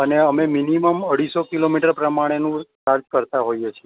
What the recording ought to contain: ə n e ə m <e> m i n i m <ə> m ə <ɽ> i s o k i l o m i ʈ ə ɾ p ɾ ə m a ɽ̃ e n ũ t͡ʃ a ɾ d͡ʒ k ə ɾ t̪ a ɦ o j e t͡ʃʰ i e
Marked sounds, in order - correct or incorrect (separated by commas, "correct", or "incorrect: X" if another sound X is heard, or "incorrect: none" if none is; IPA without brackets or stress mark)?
correct, correct, correct